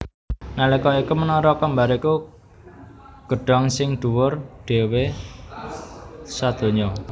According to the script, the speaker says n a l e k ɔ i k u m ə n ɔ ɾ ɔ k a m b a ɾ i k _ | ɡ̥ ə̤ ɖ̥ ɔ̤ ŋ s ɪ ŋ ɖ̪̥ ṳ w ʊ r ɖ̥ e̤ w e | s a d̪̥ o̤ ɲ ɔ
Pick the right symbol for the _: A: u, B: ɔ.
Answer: A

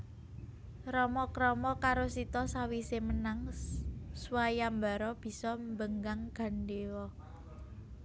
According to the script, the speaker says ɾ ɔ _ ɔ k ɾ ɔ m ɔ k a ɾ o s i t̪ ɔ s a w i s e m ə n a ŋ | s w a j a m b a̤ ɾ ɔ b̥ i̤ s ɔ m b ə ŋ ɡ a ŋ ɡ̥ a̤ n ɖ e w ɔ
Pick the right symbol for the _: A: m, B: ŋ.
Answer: A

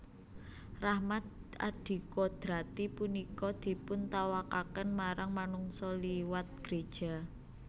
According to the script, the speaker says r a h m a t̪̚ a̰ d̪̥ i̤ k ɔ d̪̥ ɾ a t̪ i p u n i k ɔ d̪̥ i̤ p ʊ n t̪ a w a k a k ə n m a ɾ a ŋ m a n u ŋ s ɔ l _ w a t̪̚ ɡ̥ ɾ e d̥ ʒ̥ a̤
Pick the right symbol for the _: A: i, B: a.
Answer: A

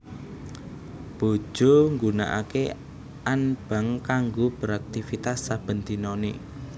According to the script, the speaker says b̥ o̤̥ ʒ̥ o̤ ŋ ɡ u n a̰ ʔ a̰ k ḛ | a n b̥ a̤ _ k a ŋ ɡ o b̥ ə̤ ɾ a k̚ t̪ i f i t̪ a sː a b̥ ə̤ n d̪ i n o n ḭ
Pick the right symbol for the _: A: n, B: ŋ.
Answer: B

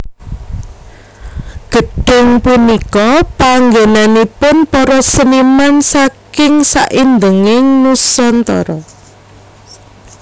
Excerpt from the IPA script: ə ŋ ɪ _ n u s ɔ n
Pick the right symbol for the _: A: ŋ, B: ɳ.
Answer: A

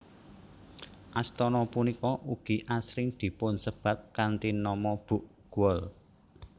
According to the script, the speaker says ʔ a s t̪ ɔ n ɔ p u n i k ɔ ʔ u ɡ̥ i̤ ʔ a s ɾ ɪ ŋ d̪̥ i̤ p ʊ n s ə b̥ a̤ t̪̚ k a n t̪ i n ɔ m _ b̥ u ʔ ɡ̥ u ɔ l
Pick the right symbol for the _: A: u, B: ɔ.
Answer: B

